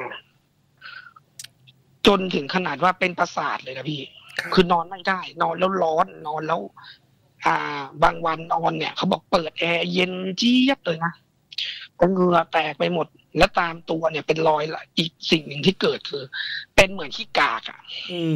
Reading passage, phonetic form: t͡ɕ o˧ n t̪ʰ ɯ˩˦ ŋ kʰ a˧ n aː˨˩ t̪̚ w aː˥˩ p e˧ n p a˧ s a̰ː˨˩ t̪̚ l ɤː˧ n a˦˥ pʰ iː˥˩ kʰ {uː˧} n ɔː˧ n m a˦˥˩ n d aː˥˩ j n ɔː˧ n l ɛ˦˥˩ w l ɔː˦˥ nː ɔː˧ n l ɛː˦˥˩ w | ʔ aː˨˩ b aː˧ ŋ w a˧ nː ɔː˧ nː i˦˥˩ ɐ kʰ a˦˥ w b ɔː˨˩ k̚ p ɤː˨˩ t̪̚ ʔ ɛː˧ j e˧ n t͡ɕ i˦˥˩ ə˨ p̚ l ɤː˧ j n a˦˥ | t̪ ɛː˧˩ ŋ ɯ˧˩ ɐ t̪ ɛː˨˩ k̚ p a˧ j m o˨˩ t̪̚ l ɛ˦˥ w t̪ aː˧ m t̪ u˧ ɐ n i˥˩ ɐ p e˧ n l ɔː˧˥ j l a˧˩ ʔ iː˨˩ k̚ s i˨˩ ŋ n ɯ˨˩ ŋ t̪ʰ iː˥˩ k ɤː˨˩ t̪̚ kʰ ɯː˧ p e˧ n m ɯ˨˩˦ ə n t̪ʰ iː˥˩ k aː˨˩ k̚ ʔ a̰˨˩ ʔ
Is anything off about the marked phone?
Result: yes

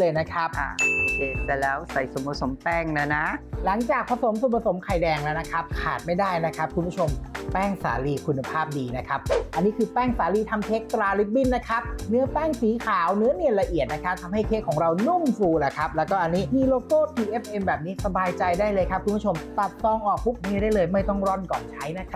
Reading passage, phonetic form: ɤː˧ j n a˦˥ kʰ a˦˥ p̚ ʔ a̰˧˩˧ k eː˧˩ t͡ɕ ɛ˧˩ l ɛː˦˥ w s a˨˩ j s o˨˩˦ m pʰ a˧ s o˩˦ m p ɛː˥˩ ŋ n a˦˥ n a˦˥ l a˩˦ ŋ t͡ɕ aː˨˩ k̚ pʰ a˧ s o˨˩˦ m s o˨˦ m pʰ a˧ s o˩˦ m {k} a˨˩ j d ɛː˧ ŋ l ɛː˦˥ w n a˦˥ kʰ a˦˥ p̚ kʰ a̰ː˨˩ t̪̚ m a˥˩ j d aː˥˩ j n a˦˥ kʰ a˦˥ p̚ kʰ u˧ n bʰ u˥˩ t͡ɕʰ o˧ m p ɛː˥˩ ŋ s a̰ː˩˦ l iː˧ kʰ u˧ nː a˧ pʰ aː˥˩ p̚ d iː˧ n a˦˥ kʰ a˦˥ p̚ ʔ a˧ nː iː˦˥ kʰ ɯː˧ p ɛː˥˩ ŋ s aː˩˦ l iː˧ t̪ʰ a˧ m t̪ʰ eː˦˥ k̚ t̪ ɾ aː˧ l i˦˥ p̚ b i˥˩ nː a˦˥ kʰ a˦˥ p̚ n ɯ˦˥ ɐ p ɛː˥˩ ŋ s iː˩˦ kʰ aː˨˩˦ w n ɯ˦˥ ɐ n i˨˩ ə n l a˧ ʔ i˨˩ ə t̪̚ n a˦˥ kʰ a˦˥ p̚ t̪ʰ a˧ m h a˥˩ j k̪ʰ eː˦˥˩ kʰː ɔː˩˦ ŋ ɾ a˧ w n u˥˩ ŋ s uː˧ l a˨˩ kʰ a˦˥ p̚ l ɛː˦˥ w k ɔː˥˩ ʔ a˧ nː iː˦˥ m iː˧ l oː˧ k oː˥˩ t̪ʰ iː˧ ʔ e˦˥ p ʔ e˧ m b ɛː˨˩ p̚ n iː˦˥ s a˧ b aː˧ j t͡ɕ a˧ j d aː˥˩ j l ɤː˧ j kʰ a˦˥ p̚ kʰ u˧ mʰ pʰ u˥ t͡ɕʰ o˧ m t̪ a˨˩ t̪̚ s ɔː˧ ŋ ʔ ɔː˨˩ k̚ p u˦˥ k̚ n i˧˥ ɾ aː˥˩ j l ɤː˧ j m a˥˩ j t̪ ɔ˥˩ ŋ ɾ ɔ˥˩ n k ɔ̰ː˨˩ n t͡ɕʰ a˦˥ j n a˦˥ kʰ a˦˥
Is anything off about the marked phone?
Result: yes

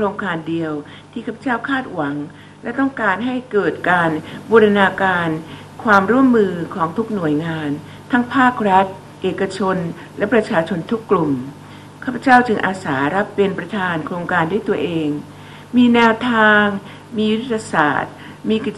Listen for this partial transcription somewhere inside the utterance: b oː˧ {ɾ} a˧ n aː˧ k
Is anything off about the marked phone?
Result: no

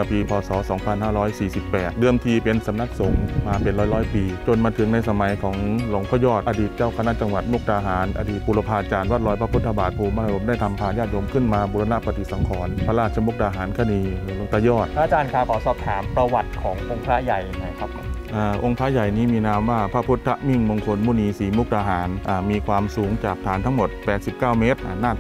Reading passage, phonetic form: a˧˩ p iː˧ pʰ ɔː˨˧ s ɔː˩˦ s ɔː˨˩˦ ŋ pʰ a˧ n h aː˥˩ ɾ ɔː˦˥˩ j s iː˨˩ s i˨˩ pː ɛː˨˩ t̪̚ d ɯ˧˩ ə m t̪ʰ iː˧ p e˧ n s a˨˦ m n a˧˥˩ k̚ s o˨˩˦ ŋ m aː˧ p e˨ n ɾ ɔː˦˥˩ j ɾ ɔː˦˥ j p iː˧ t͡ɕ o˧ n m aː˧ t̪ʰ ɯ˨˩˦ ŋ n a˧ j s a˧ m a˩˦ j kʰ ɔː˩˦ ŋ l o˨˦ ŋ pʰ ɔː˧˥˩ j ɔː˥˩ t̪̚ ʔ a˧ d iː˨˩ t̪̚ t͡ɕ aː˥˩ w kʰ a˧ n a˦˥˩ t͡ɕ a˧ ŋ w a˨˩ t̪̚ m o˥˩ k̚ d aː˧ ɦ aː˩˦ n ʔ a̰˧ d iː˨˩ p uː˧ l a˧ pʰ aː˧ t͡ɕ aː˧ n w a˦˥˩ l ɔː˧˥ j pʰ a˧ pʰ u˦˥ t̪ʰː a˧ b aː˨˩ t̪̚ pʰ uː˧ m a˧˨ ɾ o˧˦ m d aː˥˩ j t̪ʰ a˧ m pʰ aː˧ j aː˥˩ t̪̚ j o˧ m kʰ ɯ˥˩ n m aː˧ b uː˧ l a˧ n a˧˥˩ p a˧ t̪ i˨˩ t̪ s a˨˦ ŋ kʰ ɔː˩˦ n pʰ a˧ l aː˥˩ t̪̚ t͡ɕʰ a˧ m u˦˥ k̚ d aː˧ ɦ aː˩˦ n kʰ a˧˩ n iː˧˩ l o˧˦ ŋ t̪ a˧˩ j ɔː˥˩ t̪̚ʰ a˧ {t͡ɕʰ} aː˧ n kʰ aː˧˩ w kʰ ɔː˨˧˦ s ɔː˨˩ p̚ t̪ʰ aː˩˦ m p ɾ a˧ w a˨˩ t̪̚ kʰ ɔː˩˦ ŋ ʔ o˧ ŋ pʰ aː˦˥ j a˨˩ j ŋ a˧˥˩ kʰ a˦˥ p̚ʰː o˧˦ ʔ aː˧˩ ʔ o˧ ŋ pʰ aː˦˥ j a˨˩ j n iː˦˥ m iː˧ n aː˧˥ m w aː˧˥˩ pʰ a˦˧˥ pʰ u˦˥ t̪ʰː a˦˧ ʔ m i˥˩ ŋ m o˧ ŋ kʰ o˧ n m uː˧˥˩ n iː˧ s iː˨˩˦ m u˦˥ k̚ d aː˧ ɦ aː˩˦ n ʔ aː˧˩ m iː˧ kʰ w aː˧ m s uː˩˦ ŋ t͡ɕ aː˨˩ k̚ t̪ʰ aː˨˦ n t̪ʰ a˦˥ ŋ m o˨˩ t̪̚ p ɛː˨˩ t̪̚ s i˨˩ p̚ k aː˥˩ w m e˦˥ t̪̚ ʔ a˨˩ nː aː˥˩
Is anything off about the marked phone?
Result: yes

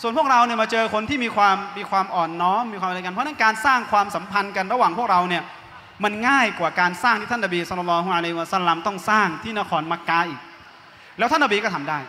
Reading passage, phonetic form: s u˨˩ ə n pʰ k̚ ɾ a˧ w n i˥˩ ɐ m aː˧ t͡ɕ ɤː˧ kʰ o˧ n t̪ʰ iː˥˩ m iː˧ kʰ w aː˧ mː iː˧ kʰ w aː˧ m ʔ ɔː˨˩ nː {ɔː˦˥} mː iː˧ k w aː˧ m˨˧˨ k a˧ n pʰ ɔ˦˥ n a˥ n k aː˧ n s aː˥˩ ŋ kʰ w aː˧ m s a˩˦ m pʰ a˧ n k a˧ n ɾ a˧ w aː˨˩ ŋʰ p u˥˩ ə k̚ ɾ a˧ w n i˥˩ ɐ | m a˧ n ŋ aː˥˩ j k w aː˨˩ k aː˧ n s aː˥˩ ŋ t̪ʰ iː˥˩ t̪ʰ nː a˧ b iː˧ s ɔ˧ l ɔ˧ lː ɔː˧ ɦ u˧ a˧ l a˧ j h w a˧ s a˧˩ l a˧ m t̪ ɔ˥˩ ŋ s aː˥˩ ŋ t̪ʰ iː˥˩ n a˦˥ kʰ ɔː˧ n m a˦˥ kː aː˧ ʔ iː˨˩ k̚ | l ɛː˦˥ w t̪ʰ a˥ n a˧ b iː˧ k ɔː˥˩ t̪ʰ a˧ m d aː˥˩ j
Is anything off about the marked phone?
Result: no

